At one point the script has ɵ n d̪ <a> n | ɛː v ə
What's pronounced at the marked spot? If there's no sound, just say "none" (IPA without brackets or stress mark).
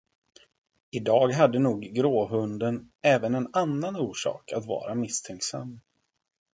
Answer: ə